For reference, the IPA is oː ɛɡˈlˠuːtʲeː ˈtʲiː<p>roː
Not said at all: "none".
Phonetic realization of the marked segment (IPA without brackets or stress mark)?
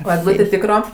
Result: k